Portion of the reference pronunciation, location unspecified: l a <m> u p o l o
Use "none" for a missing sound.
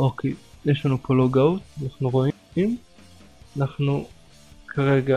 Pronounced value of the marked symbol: n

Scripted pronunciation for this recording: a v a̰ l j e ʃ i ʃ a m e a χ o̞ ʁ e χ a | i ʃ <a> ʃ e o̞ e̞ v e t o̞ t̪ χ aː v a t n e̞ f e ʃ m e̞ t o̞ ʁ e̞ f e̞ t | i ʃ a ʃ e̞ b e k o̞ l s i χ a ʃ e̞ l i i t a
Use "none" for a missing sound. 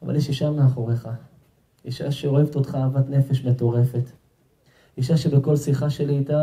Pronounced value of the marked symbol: a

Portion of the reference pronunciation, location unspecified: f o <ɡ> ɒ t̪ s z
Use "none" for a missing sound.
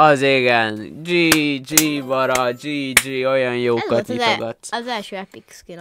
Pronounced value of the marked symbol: ɡ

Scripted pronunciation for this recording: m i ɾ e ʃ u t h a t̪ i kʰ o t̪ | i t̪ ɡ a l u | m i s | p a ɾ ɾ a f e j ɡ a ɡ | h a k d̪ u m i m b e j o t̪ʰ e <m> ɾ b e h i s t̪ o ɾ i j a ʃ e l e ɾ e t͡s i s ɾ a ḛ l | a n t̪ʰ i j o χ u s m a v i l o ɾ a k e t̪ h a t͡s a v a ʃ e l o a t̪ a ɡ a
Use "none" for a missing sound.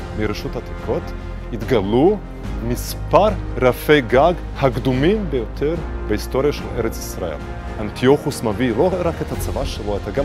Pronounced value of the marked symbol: none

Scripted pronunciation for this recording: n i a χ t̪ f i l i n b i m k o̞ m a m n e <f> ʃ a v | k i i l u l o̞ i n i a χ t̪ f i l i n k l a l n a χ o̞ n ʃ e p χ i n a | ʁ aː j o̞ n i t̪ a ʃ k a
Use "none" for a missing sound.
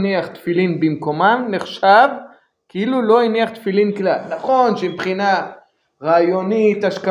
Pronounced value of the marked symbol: χ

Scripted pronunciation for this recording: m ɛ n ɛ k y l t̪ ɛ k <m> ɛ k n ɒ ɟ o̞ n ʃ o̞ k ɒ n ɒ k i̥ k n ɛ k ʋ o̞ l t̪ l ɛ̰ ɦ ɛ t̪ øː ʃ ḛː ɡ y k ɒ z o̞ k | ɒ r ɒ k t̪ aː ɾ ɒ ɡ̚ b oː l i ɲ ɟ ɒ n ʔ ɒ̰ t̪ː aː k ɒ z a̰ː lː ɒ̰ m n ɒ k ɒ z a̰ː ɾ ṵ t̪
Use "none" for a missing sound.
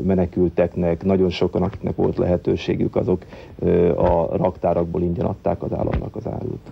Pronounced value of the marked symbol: n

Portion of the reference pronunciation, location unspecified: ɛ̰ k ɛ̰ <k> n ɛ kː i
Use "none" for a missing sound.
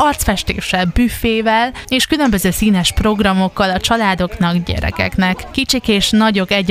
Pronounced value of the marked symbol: k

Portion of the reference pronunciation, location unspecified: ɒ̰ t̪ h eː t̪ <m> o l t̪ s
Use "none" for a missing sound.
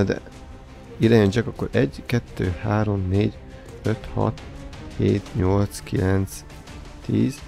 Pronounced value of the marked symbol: ɲ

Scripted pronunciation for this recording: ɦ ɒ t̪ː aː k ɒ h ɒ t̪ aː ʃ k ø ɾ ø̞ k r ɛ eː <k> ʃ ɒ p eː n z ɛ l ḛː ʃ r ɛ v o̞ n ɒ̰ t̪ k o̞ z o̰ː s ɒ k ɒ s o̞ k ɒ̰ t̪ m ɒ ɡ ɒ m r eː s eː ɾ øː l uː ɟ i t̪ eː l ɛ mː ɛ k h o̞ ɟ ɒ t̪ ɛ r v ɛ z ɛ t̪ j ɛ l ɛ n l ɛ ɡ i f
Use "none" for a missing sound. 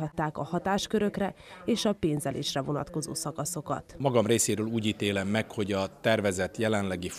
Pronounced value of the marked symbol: none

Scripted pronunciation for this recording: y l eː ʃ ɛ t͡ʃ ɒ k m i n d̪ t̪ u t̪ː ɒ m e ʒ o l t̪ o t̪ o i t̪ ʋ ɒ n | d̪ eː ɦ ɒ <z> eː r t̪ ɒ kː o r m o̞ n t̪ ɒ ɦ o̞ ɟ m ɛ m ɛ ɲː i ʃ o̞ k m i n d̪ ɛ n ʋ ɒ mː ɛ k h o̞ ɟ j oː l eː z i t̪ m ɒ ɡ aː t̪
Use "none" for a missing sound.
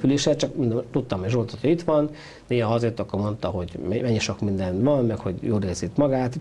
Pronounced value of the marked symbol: z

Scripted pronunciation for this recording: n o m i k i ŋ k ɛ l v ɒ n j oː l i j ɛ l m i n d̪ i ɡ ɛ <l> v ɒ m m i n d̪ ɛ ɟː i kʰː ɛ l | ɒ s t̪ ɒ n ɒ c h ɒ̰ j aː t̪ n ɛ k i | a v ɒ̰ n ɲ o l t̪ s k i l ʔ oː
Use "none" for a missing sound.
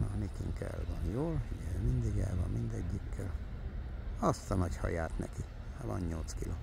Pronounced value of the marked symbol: l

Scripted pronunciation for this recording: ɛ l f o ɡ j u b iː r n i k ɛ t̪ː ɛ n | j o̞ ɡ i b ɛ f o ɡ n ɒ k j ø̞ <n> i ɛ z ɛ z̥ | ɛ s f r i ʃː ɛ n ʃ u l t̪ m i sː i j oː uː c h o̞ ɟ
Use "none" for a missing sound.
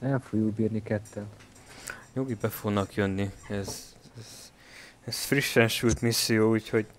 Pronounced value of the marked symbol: nː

